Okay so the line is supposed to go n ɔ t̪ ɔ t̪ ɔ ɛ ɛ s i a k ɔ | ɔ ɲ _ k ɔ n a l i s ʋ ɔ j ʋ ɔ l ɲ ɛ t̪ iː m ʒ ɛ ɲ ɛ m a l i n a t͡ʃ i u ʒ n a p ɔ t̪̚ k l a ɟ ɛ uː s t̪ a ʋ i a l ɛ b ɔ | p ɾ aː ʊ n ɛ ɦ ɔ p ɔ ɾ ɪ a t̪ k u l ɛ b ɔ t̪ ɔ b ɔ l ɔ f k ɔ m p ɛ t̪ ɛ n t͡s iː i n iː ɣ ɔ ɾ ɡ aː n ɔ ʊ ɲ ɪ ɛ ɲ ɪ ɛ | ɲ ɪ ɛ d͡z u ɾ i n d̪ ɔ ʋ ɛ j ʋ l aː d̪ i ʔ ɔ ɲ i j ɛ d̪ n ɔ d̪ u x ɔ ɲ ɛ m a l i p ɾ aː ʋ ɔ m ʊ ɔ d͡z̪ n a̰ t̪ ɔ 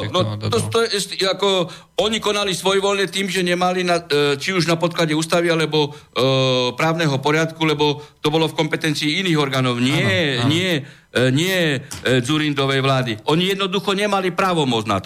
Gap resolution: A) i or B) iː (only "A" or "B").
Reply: A